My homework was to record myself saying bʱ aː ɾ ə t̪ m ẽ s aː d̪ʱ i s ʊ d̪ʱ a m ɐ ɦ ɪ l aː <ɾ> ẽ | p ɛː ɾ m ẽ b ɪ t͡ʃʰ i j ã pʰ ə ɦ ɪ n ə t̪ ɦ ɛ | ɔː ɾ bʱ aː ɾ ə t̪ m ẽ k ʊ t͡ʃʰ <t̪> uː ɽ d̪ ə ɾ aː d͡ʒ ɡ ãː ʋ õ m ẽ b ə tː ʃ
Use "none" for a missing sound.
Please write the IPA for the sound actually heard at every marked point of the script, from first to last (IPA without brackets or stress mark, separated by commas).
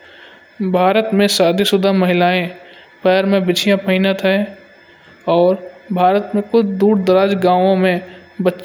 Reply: none, d̪